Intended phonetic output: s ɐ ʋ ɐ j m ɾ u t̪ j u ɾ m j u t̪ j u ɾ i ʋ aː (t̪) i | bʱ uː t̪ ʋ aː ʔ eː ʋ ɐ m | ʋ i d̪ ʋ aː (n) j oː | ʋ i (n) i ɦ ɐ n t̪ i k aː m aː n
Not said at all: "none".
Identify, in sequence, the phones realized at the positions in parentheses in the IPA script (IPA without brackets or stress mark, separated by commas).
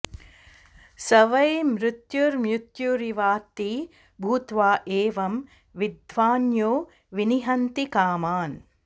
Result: t̪, n, n